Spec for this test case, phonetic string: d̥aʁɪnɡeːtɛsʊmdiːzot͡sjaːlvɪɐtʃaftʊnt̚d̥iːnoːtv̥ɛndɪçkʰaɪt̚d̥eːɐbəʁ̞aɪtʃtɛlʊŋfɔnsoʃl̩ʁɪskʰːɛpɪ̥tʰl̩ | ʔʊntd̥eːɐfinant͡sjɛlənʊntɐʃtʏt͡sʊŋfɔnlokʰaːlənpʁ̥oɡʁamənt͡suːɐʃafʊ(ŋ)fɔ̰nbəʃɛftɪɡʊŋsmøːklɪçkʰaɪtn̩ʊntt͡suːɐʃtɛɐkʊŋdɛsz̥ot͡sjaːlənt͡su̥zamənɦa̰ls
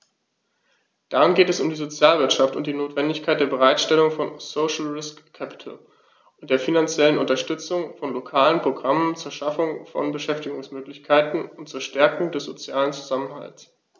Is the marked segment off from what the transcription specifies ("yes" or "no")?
no